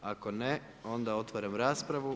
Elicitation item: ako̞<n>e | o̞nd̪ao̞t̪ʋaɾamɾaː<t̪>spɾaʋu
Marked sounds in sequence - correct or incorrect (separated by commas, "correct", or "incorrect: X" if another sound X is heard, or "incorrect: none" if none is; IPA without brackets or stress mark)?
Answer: correct, incorrect: none